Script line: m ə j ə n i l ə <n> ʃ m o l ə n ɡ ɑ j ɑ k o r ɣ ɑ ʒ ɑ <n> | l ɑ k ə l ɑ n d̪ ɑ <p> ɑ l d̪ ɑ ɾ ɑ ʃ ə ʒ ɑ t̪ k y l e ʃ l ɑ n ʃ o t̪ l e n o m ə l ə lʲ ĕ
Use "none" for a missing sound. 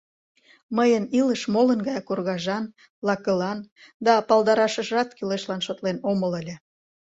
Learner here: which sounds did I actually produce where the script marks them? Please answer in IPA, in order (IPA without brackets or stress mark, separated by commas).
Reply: none, n, p